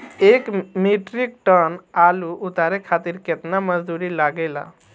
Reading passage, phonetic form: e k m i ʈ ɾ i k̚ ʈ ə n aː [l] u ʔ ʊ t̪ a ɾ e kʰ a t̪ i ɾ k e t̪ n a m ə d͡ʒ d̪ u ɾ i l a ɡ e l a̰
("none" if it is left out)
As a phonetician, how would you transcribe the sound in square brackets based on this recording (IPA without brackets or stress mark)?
l